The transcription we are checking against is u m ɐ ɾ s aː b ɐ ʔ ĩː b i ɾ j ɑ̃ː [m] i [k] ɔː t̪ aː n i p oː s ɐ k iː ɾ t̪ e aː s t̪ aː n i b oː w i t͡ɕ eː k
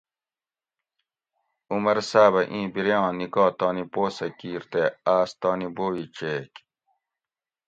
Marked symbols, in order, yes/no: no, yes

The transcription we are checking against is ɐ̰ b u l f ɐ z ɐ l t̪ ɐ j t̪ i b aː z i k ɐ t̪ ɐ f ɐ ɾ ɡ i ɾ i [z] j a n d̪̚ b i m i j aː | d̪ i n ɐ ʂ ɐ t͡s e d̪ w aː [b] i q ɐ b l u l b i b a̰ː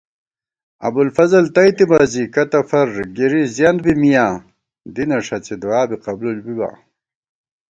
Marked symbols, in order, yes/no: yes, yes

